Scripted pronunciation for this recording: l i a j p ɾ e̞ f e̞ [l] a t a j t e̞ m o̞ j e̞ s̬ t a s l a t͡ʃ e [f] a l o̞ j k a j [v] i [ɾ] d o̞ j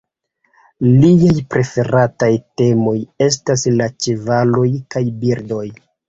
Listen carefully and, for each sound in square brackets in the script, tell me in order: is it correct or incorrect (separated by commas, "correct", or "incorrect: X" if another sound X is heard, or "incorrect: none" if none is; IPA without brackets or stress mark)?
incorrect: ɾ, incorrect: v, incorrect: b, correct